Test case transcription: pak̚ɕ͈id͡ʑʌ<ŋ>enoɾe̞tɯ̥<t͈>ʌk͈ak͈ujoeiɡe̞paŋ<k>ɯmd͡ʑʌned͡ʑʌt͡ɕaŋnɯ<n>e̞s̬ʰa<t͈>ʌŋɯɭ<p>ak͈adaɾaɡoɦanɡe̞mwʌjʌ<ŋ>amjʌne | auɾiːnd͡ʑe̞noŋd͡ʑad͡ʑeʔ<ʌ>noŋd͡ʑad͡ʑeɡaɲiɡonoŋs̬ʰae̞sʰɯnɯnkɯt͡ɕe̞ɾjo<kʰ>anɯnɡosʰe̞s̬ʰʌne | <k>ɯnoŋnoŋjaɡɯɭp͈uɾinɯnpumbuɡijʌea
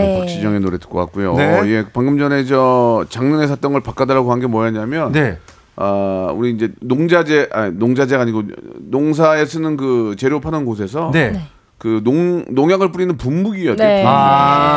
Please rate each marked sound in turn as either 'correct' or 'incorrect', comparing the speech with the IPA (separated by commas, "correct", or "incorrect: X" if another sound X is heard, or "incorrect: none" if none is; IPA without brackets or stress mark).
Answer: correct, incorrect: k͈, incorrect: ɡ, correct, correct, correct, incorrect: ɲ, incorrect: a, incorrect: pʰ, correct